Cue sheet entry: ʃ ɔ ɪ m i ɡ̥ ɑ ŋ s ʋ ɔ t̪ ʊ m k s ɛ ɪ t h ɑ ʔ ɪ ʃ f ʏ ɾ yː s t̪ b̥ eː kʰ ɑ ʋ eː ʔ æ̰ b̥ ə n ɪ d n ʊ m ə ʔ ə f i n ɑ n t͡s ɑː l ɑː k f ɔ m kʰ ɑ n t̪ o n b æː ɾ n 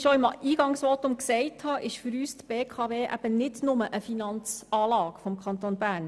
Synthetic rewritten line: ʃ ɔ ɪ m iː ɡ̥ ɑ ŋ s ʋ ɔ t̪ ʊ m k s ɛ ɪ t h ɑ ʔ ɪ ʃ f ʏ ɾ yː s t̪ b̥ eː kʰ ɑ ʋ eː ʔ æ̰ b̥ ə n ɪ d n ʊ m ə ʔ ə f i n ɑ n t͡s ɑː l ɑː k f ɔ m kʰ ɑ n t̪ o n b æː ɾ n